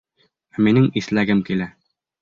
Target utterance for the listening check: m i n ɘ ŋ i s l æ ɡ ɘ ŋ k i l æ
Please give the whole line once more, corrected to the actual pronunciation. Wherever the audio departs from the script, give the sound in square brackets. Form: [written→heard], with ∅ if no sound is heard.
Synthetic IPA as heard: m i n ɘ ŋ i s l æ ɡ ɘ [ŋ→m] k i l æ